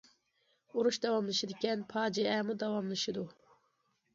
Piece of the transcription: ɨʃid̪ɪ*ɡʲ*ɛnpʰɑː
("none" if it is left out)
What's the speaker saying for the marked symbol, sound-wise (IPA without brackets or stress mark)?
kʲ